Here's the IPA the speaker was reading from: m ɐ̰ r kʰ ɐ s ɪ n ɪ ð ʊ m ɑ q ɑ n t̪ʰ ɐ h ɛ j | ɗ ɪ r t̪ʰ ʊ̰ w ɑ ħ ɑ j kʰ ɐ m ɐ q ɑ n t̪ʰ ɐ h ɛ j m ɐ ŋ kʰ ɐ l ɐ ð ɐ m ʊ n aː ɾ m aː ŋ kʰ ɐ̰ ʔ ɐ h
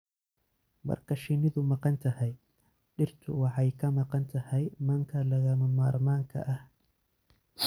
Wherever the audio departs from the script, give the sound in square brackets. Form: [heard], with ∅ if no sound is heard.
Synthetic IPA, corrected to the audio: m ɐ̰ r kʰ ɐ [ʃ] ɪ n ɪ ð ʊ m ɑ q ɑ n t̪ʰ ɐ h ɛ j | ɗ ɪ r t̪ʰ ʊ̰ w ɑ ħ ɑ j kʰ ɐ m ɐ q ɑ n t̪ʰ ɐ h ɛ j m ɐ ŋ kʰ ɐ l ɐ [ɣ] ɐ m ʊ [m] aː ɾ m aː ŋ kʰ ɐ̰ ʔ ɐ h